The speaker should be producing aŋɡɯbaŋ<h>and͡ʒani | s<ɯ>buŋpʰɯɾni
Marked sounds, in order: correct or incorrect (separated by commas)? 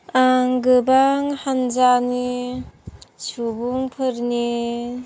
correct, incorrect